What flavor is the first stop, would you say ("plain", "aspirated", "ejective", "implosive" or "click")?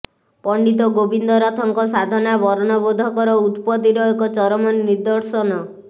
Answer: plain